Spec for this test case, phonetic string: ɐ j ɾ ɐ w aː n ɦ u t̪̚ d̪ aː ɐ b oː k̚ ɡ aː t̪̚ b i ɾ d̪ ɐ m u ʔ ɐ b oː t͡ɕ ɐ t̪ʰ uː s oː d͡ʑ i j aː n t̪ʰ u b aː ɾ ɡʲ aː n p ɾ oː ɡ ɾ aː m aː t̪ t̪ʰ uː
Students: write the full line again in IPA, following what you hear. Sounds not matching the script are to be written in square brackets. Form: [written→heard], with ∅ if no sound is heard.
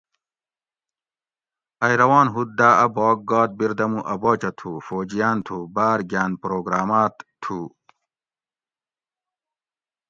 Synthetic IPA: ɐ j ɾ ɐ w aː n ɦ u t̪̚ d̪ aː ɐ b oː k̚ ɡ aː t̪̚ b i ɾ d̪ ɐ m u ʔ ɐ b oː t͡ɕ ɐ t̪ʰ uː [s→f] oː d͡ʑ i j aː n t̪ʰ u b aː ɾ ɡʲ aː n p ɾ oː ɡ ɾ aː m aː t̪ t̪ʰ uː